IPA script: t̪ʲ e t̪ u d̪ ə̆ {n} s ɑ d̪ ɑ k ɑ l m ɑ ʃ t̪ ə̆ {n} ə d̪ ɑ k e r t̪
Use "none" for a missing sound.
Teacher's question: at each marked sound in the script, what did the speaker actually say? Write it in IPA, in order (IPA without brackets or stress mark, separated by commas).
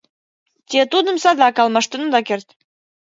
m, n